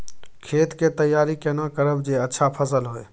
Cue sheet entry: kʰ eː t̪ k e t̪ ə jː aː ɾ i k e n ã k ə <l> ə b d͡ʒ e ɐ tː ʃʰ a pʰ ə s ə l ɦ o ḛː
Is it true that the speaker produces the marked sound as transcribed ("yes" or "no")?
no